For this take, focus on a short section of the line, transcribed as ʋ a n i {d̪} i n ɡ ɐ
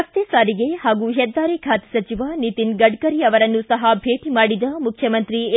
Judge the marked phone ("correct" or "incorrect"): incorrect